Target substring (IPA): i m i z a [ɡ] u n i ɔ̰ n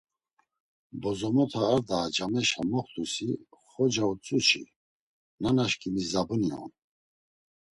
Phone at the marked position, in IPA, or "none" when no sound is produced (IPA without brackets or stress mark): b